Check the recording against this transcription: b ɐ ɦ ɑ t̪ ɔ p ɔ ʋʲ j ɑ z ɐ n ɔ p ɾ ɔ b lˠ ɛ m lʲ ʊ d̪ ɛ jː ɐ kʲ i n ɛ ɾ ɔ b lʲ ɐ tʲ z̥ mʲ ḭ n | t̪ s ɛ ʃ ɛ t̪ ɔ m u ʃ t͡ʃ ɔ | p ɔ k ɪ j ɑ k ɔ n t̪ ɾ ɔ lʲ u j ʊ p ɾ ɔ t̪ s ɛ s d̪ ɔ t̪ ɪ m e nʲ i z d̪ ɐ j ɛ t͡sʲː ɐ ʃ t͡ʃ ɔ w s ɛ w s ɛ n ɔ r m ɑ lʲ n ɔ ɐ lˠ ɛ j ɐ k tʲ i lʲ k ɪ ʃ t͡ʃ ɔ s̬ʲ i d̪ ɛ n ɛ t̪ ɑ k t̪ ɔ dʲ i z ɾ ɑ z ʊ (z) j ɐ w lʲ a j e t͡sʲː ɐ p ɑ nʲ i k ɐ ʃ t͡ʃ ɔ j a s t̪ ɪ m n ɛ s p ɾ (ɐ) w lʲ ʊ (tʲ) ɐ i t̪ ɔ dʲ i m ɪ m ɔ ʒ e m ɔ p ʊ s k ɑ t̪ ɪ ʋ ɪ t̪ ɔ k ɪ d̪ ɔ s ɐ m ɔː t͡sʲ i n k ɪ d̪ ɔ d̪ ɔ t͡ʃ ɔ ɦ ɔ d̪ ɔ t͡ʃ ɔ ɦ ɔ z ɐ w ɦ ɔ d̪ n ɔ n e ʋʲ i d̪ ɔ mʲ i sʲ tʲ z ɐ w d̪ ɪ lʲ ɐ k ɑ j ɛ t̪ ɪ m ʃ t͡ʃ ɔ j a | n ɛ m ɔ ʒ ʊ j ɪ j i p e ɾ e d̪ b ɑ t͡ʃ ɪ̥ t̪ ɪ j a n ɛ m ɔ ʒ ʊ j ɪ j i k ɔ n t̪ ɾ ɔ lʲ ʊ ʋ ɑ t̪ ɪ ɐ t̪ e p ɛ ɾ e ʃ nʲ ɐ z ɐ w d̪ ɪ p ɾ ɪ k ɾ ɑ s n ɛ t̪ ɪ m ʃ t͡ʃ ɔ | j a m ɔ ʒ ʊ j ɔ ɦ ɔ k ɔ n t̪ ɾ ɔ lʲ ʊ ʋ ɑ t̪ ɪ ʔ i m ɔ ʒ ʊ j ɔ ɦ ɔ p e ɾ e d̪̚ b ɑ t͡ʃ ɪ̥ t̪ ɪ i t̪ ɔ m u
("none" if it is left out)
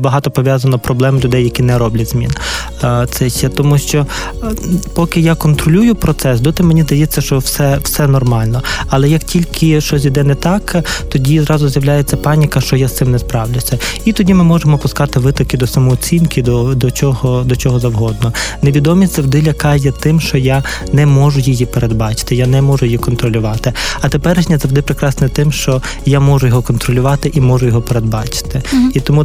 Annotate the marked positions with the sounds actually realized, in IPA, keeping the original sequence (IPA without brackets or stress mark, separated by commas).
z, ɑ, sʲ